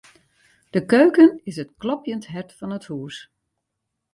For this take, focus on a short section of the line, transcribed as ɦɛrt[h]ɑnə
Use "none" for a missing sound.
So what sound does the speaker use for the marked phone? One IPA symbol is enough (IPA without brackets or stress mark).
f